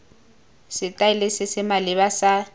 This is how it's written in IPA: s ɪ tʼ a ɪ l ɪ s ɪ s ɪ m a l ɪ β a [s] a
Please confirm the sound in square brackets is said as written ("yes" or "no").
yes